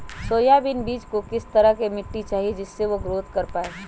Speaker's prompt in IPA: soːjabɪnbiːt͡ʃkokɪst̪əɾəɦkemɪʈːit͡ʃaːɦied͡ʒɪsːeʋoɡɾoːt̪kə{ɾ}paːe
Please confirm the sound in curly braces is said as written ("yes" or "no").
yes